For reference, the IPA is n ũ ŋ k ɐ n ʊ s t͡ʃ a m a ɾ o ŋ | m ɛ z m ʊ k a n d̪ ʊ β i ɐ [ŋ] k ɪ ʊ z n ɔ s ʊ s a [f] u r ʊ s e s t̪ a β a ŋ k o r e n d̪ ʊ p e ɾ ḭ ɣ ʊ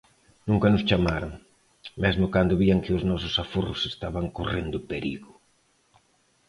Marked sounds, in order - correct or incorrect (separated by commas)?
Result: correct, correct